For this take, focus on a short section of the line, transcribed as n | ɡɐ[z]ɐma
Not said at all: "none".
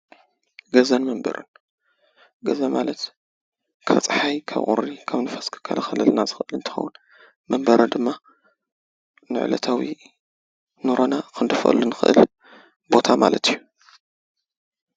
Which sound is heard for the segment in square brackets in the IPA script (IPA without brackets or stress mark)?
z